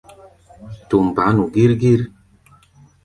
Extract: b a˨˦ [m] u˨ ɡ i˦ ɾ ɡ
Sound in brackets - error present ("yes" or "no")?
yes